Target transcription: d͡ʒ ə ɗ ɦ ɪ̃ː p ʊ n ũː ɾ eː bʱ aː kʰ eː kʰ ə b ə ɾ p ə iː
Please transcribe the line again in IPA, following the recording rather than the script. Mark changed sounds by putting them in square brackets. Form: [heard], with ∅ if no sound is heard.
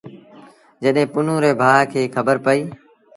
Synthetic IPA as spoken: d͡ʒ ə ɗ ɦ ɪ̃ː p ʊ n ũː ɾ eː bʱ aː kʰ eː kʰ ə b ə ɾ p ə iː

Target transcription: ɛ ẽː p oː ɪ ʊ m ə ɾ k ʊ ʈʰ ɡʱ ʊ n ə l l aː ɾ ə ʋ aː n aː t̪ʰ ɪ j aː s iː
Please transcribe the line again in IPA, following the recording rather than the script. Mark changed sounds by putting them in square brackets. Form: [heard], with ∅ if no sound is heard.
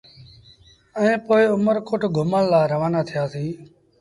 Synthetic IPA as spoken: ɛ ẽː p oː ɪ ʊ m ə ɾ k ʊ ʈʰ ɡʱ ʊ [m] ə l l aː ɾ ə ʋ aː n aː t̪ʰ ɪ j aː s iː

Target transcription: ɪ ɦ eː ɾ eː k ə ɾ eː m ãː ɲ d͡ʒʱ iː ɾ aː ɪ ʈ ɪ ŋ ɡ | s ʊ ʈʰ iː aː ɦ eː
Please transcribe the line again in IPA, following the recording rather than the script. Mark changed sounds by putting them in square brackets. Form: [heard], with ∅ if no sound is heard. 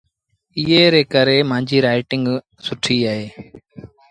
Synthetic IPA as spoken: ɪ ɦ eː ɾ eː k ə ɾ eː m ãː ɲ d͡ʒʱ iː ɾ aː ɪ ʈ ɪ ŋ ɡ | s ʊ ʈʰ iː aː ɦ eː

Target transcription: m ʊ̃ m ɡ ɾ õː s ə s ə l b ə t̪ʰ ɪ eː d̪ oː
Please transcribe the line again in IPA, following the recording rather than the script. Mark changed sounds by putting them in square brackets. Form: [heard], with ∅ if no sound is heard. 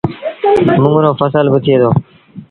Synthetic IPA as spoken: m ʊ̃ [ŋ] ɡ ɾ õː [f] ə s ə l b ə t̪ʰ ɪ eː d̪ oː

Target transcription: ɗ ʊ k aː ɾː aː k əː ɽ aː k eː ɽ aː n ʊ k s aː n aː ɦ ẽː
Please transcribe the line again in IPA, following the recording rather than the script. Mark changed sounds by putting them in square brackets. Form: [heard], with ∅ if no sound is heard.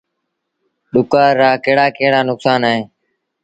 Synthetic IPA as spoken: ɗ ʊ k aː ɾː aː k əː ɽ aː k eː ɽ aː n ʊ k s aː n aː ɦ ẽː

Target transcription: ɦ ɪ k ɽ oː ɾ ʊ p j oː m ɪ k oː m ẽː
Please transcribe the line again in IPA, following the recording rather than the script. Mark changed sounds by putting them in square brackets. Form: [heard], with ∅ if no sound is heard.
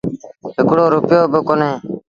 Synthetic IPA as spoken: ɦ ɪ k ɽ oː ɾ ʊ p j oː [b] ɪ k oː [n] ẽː

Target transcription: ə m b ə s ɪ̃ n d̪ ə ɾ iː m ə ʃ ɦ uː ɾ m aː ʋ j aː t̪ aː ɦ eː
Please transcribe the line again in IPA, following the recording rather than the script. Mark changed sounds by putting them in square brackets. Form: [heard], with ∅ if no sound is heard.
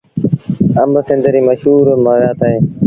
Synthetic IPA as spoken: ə m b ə s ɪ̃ n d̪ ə ɾ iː m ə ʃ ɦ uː ɾ m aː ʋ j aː t̪ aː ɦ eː

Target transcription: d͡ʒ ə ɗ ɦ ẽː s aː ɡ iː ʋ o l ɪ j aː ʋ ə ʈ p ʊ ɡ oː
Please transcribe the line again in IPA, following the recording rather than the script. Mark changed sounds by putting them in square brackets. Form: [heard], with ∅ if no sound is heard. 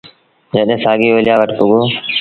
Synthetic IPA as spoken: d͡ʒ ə ɗ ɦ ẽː s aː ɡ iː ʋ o l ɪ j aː ʋ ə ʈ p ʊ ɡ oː

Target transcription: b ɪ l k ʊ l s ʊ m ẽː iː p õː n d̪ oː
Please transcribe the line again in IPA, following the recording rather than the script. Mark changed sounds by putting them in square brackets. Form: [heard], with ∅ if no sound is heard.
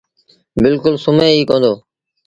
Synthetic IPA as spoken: b ɪ l k ʊ l s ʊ m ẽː iː [k] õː n d̪ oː

